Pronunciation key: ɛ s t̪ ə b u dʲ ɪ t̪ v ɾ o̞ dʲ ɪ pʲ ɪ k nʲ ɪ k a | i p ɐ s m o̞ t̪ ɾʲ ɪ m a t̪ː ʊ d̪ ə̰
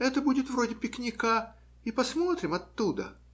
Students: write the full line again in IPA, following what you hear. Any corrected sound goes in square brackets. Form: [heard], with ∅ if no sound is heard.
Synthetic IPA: ɛ [∅] t̪ ə b u dʲ ɪ t̪ v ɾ o̞ dʲ ɪ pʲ ɪ k nʲ ɪ k a | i p ɐ s m o̞ t̪ ɾʲ ɪ m [ɐ] t̪ː [u] d̪ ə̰